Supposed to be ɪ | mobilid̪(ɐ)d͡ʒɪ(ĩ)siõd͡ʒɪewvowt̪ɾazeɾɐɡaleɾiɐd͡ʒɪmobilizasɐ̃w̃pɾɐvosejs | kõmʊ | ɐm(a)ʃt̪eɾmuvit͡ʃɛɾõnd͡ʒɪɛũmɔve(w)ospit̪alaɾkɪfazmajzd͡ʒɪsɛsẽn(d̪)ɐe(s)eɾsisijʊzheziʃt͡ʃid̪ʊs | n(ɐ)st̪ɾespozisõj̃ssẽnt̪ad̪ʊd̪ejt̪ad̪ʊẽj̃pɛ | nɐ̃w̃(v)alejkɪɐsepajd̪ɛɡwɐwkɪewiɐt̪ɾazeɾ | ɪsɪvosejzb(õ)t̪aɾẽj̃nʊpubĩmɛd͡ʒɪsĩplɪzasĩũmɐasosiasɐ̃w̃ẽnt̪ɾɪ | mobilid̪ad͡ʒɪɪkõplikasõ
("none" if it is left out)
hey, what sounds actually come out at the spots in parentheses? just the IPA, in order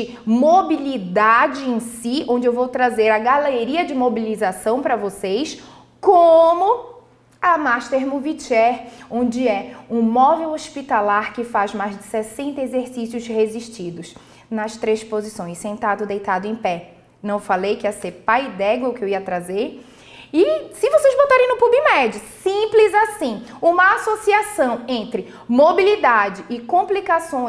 a, ẽ, a, w, t̪, z, ɐ, f, o

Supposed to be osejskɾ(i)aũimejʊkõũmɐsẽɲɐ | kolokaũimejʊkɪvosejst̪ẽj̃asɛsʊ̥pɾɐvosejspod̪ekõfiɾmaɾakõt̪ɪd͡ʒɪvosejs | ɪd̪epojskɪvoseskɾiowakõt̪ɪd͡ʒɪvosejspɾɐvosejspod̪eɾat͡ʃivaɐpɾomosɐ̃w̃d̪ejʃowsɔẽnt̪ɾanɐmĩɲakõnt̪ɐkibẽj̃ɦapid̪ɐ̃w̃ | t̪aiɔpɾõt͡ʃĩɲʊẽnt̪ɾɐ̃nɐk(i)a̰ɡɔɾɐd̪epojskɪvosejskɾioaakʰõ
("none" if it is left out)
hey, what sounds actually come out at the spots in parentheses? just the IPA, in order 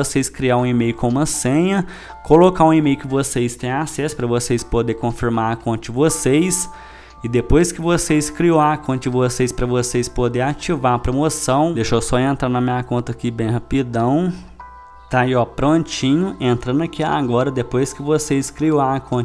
i, i

